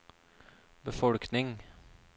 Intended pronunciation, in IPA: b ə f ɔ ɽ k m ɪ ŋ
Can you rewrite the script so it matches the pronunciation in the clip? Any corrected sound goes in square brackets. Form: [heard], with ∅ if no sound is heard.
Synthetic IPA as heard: b ə f ɔ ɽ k [n] ɪ ŋ